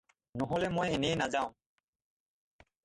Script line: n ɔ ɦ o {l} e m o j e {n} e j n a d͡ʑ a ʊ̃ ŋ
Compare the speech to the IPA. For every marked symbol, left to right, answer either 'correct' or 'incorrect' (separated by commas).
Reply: correct, correct